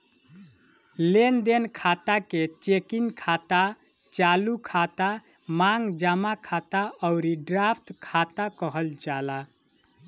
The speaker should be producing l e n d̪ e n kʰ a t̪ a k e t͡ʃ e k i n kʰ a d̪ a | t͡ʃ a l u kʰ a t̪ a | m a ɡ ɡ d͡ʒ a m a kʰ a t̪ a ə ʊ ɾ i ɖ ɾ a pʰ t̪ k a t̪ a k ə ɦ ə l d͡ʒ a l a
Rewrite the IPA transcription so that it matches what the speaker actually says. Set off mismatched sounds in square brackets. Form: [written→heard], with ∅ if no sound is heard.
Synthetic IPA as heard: l e n d̪ e n kʰ a t̪ a k e t͡ʃ e k i n kʰ a [d̪→t̪] a | t͡ʃ a l u kʰ a t̪ a | m a [ɡ→ŋ] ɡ d͡ʒ a m a kʰ a t̪ a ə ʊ ɾ i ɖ ɾ a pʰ t̪ [k→kʰ] a t̪ a k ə ɦ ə l d͡ʒ a l a